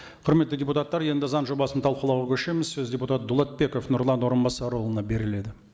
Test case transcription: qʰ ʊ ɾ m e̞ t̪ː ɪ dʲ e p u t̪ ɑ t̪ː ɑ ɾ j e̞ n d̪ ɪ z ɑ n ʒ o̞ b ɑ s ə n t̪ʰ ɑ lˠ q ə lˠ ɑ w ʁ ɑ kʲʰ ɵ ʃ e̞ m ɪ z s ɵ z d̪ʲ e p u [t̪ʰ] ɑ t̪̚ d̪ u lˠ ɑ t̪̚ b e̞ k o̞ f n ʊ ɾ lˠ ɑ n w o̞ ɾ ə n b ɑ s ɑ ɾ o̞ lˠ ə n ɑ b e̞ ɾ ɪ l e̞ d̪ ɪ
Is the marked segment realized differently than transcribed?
yes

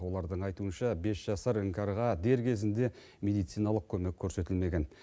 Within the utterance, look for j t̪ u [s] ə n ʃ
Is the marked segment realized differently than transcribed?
yes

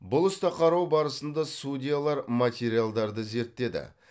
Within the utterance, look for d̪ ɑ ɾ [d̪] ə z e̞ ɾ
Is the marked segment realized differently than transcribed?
no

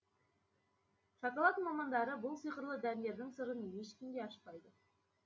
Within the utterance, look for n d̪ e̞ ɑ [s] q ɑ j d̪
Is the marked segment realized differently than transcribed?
yes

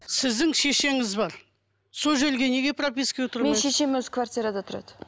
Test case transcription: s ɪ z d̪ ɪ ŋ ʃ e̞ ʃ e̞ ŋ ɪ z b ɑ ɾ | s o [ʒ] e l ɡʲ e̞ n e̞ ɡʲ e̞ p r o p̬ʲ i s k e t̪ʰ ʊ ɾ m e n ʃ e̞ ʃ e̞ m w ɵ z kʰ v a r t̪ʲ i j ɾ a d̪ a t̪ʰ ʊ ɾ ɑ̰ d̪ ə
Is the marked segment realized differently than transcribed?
no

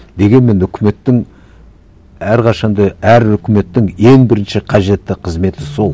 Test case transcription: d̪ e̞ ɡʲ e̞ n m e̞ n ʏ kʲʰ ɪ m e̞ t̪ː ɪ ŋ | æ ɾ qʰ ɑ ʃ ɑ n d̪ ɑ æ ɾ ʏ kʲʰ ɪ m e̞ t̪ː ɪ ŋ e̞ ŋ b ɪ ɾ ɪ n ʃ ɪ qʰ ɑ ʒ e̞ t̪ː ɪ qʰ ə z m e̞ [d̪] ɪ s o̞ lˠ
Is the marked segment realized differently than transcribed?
yes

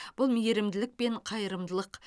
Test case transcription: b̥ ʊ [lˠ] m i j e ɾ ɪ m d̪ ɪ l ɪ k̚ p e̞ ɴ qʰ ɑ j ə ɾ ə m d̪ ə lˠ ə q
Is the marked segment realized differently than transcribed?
no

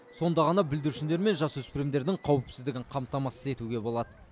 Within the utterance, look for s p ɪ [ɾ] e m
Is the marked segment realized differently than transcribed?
no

